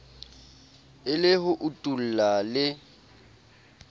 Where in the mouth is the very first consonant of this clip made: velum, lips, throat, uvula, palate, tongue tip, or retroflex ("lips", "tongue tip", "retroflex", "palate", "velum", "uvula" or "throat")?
tongue tip